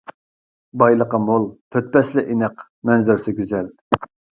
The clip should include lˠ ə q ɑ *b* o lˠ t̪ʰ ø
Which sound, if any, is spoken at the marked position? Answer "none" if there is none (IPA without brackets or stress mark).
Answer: m